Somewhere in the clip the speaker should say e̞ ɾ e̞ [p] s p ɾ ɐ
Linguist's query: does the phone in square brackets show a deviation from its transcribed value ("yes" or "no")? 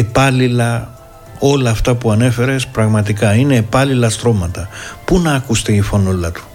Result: yes